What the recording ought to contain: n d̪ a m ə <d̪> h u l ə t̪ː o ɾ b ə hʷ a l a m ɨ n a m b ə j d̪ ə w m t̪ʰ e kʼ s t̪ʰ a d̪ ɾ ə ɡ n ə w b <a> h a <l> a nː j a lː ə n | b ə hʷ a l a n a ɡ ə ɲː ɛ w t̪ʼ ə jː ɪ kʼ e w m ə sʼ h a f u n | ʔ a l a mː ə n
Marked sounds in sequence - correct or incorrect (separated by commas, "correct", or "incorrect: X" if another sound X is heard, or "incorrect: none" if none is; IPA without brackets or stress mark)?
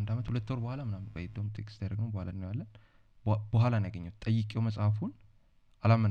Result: incorrect: t̪, incorrect: ə, correct